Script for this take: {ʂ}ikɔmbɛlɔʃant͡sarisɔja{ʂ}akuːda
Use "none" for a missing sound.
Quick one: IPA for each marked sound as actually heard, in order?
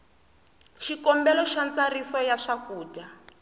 ʃ, ʂ

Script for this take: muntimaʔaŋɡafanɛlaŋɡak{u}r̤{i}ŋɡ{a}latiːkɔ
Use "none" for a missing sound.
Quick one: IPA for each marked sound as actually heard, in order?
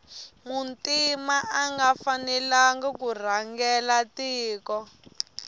u, a, ɛ

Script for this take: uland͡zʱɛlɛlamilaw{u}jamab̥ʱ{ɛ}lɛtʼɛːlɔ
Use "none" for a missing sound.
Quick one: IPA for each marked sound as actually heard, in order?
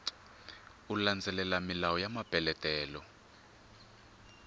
ɔ, ɛ

